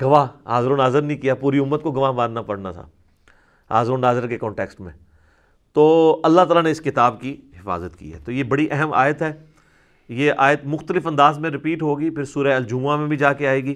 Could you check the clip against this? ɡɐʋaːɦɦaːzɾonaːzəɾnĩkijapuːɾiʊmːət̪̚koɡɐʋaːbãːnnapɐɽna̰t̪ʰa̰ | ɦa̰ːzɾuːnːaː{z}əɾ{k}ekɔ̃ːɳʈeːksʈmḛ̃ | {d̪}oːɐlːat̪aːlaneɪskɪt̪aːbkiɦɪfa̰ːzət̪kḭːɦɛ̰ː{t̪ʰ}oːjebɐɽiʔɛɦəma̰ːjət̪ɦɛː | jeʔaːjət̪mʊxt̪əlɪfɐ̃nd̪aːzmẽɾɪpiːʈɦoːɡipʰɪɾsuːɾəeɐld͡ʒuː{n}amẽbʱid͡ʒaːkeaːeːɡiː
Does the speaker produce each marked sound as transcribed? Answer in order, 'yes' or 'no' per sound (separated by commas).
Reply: yes, yes, no, no, no